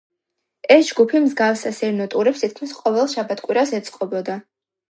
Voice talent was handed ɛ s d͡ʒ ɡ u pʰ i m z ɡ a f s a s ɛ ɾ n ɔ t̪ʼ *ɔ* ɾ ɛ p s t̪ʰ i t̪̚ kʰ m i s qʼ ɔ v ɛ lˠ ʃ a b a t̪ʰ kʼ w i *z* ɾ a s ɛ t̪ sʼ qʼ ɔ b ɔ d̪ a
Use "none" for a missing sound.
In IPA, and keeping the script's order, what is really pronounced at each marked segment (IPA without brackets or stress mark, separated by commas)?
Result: u, none